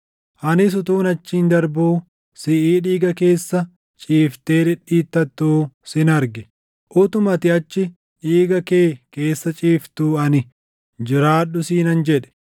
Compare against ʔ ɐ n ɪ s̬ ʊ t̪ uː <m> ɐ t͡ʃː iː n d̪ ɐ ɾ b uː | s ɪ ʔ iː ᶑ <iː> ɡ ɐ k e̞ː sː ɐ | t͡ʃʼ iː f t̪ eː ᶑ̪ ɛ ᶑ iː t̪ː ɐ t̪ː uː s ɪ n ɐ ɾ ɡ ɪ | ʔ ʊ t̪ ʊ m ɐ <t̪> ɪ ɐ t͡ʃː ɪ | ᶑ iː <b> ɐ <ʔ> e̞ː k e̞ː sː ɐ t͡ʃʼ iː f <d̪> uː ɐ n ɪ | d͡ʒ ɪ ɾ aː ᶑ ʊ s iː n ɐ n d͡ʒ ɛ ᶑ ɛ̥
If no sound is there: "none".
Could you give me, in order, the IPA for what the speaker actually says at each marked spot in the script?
n, iː, t̪, ɡ, k, t̪

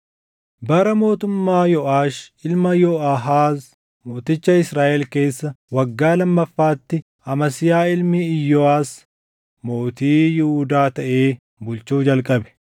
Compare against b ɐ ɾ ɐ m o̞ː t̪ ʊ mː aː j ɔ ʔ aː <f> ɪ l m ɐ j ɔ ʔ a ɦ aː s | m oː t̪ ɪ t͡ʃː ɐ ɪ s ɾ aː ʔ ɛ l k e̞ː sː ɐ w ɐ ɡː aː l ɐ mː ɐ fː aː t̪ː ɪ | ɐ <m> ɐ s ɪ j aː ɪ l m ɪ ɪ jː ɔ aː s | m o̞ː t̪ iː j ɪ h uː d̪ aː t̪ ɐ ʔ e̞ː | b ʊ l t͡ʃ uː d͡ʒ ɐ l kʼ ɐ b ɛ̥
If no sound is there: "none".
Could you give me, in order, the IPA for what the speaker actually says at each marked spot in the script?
ʃ, m

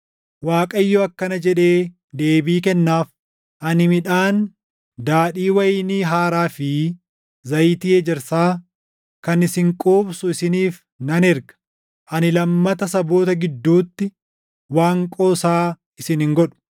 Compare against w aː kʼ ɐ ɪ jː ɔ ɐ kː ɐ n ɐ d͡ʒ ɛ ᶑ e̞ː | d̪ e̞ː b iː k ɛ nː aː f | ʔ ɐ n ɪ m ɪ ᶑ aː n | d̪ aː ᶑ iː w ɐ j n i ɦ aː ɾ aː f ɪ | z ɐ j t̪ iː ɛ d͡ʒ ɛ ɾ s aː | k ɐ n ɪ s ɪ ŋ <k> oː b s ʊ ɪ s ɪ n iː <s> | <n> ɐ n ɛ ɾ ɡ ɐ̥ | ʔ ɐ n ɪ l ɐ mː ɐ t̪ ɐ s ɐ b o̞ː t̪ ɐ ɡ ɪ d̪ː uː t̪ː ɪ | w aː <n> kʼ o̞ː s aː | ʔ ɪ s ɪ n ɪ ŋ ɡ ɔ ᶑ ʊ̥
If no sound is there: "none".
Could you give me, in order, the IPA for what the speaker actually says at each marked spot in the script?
kʼ, f, n, ŋ

